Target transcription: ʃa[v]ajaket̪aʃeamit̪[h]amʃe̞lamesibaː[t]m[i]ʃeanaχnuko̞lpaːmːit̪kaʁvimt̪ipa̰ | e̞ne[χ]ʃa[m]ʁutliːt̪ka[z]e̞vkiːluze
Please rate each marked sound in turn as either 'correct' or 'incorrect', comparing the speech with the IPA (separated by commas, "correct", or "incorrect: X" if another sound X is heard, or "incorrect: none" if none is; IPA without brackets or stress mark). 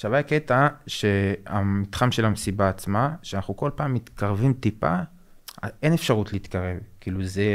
correct, incorrect: χ, incorrect: t͡s, incorrect: a, incorrect: f, incorrect: none, incorrect: ʁ